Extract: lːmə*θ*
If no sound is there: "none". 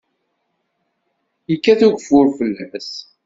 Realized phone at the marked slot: s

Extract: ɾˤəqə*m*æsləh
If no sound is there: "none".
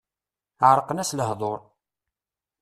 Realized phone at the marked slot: n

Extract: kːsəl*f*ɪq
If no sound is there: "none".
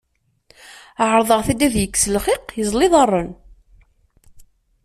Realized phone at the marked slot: χ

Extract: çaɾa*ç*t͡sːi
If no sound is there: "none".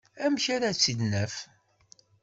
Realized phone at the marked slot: none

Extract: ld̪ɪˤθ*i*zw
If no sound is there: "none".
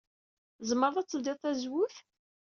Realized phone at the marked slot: æ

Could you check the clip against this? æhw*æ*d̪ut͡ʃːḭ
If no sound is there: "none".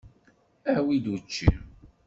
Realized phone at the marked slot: i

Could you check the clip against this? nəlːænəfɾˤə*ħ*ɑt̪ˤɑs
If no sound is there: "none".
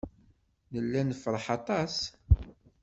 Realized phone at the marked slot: ħ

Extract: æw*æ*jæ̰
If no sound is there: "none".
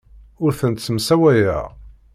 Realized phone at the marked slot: æ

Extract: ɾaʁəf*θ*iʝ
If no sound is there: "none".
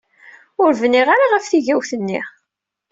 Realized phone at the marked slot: θ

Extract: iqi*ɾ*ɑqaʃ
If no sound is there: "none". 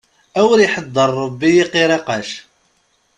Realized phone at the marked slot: ɾ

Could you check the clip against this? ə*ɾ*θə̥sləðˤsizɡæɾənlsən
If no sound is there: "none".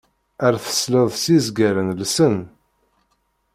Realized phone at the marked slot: ɾ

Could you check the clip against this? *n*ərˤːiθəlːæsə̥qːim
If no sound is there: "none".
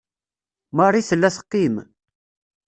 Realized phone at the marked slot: m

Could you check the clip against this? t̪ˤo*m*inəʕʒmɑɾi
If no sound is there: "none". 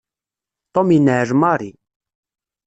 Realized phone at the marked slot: m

